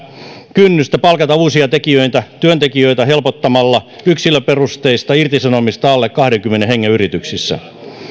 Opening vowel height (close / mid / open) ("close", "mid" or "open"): close